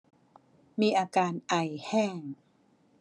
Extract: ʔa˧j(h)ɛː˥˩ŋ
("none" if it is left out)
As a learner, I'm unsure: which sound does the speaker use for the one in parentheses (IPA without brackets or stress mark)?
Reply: h